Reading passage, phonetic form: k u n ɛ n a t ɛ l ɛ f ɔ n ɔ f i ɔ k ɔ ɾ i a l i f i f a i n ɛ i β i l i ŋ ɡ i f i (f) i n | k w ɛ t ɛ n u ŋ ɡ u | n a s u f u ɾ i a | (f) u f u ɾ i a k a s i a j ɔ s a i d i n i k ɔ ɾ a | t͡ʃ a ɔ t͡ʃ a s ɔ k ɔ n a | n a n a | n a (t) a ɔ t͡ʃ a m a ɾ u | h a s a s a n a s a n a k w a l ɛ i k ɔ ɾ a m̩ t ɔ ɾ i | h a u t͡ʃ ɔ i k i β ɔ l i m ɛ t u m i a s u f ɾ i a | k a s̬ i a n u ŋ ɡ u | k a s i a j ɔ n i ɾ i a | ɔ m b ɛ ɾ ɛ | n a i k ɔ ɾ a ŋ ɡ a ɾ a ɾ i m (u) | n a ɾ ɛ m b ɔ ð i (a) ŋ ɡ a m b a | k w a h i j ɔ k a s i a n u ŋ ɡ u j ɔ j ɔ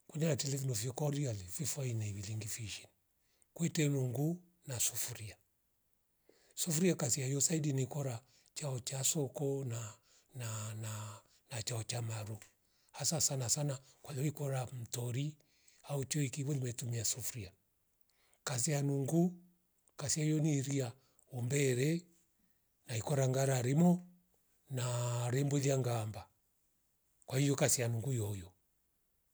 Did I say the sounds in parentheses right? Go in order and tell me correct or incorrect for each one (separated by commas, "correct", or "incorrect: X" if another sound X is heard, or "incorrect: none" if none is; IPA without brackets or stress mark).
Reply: incorrect: ʃ, incorrect: s, incorrect: t͡ʃ, incorrect: ɔ, correct